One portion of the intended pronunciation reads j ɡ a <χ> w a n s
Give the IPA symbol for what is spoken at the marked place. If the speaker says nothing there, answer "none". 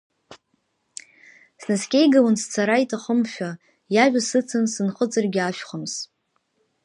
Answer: none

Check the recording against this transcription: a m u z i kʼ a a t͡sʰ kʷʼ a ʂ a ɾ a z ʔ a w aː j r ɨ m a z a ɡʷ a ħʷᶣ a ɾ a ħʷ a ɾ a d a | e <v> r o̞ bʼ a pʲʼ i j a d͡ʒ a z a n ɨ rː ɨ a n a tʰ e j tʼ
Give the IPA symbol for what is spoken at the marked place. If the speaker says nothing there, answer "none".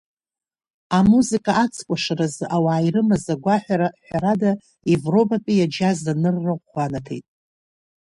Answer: v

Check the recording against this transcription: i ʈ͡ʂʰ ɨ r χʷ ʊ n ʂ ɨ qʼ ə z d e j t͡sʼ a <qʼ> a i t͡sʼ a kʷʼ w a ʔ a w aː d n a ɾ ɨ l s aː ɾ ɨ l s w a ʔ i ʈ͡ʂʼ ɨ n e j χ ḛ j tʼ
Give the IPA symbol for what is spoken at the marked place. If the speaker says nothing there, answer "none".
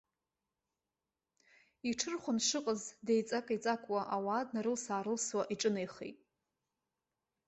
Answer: kʼ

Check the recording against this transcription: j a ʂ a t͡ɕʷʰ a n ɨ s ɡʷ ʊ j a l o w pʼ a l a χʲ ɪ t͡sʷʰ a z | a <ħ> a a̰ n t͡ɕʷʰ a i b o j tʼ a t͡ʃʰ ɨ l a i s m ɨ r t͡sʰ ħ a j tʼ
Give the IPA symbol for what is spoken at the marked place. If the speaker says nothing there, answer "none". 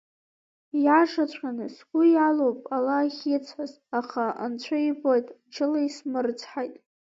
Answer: χ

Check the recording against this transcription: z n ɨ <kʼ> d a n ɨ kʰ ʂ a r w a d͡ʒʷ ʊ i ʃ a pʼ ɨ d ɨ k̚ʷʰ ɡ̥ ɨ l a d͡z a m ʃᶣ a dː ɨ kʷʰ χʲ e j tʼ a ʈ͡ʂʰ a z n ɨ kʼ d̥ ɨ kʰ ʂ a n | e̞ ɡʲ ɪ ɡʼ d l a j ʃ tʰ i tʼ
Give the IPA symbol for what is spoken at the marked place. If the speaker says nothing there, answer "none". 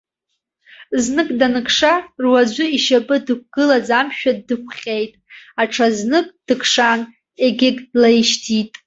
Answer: kʼ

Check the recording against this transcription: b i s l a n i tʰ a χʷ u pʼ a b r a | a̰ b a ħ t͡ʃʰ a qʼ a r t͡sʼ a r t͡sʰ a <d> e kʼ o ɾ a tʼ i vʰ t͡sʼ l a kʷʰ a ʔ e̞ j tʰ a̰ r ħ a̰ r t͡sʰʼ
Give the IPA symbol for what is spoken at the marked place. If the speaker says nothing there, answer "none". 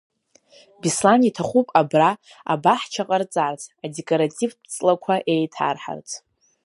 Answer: d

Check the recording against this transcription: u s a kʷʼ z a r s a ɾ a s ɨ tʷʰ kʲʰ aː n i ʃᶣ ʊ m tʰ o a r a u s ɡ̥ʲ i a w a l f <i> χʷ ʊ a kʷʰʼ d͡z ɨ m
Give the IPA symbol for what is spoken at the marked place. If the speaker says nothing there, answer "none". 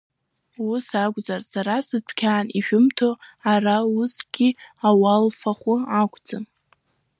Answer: a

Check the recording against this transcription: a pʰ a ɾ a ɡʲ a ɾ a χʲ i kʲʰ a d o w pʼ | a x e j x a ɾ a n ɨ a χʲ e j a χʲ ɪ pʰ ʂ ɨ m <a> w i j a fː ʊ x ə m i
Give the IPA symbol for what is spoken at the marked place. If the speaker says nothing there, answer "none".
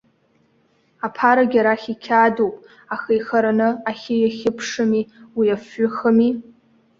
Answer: i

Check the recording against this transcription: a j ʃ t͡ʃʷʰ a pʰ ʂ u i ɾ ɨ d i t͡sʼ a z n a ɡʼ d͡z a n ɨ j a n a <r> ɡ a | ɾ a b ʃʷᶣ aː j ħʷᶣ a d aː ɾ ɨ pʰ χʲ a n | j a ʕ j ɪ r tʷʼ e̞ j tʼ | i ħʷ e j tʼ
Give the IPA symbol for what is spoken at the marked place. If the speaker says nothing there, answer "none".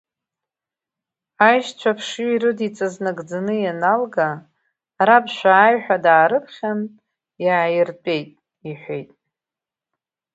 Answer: l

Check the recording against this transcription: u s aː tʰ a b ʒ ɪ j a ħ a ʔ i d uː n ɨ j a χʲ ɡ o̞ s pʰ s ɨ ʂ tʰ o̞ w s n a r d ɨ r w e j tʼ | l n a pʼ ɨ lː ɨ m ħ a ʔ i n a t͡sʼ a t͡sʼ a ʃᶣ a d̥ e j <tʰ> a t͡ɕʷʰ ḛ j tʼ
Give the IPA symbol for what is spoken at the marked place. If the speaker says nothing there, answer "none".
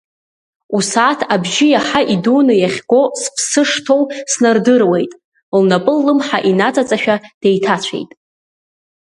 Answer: tʰ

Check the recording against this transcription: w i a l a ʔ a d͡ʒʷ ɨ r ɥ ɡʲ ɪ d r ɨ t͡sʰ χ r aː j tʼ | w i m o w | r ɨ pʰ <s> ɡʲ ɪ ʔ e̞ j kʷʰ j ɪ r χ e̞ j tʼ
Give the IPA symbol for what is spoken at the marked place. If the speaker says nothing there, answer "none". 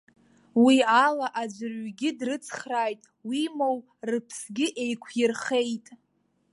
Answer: s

